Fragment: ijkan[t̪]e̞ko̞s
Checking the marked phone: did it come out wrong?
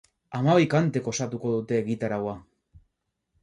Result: no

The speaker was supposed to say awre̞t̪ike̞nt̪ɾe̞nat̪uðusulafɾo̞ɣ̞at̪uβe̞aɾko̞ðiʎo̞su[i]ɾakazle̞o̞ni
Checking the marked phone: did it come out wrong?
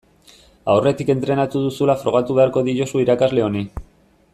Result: no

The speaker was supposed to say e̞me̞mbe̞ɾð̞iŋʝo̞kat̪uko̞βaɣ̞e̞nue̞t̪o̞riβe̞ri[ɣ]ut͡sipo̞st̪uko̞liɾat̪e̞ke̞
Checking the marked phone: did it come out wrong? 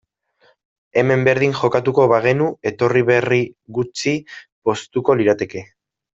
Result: no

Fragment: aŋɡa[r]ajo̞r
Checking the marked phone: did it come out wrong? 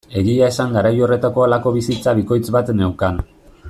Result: yes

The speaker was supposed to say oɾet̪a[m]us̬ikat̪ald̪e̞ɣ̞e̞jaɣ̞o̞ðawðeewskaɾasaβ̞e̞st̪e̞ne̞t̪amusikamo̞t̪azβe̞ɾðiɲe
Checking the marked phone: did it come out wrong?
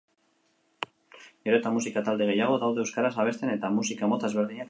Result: no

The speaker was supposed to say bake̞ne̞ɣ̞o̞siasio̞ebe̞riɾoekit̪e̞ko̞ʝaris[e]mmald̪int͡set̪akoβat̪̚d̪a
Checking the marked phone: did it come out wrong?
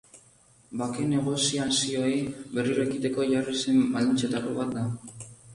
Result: no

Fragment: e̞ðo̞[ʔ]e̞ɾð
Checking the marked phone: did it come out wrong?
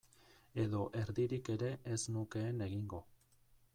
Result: no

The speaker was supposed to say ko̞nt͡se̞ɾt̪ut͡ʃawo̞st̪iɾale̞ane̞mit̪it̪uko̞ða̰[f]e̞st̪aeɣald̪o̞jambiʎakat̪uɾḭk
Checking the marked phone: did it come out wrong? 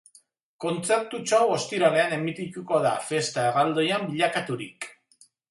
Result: no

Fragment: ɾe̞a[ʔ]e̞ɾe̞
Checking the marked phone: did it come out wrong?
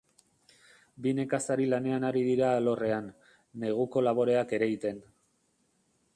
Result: yes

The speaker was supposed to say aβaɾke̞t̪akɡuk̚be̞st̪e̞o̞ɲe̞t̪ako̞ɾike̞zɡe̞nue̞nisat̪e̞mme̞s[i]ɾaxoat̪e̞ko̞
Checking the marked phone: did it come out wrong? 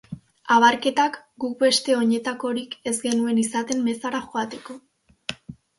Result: yes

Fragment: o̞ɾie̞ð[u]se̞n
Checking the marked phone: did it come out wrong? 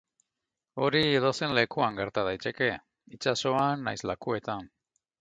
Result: yes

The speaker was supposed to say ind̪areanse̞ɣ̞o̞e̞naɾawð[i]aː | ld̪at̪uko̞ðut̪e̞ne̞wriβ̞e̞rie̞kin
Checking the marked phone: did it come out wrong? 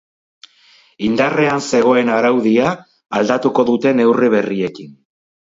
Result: no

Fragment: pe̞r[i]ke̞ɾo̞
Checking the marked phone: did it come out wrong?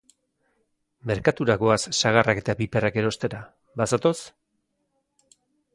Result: yes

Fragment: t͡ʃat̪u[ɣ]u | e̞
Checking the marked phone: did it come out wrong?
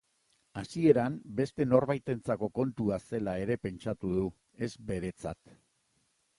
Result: yes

